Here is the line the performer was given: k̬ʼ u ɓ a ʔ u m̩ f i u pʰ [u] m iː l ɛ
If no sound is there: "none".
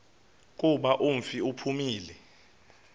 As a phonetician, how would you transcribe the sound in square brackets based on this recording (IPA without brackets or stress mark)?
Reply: u